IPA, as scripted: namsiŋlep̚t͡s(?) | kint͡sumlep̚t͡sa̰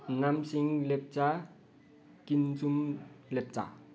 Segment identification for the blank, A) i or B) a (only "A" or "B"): B